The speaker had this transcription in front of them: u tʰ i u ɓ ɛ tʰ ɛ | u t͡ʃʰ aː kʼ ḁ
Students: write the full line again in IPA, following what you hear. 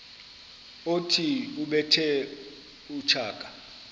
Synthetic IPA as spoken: o tʰ i u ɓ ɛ tʰ ɛ | u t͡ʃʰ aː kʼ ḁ